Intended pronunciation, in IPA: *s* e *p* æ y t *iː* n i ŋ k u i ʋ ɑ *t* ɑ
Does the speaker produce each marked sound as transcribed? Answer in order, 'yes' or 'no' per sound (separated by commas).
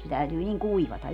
yes, no, no, yes